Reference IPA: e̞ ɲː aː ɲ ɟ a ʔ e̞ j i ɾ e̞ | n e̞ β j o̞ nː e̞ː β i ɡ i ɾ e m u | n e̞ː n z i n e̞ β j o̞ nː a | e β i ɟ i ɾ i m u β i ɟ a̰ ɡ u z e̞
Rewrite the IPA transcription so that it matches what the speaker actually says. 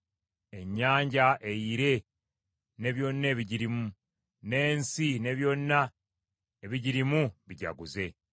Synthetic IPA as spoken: e̞ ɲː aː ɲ ɟ a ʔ e̞ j i ɾ e̞ | n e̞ β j o̞ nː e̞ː β i ɟ i ɾ i m u | n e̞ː n s i n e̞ β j o̞ nː a | e β i ɟ i ɾ i m u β i ɟ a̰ ɡ u z e̞